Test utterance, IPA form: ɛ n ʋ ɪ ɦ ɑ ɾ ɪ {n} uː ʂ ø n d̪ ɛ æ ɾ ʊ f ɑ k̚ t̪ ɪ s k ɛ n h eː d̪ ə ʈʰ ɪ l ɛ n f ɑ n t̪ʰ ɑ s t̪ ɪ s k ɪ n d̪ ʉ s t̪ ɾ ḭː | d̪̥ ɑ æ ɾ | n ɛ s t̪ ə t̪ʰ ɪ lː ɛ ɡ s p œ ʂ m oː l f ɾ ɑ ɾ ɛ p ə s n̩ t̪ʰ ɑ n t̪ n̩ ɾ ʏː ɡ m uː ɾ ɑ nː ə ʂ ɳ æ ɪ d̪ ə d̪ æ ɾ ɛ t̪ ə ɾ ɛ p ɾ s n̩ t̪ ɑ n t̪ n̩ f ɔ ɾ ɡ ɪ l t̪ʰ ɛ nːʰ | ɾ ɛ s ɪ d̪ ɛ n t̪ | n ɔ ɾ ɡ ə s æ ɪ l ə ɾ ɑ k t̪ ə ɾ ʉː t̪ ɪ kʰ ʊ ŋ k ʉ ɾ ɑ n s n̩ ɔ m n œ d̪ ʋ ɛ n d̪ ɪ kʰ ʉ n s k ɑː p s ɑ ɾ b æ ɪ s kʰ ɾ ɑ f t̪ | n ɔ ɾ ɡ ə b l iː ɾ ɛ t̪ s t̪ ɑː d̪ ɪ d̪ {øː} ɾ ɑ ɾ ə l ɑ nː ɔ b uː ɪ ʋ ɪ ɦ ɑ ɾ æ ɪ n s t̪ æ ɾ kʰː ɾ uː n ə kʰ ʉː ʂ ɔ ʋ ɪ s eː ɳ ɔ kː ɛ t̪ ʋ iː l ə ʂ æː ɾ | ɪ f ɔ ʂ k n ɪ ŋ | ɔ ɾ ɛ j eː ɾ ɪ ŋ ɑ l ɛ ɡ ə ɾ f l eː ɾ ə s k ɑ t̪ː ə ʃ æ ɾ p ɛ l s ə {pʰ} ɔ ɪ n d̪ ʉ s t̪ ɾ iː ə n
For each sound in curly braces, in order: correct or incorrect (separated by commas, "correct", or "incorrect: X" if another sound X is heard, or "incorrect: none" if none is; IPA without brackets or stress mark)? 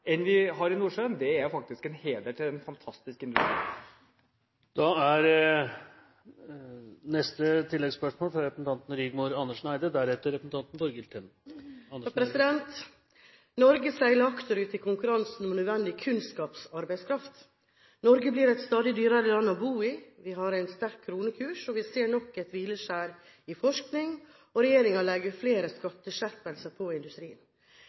correct, incorrect: yː, correct